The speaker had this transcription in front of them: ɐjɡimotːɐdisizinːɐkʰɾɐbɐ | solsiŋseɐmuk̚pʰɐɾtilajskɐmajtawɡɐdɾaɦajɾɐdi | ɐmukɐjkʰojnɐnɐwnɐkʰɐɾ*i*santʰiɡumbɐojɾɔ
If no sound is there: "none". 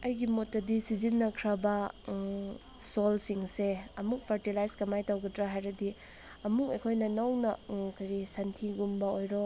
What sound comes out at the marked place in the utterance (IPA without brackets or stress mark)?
i